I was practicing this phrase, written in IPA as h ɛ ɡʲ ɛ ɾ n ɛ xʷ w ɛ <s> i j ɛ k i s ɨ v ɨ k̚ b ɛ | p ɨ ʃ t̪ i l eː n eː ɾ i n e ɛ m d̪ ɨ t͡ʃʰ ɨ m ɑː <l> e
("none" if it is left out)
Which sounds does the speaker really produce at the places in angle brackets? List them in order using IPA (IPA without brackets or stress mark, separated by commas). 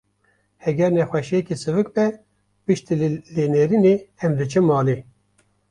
ʃ, l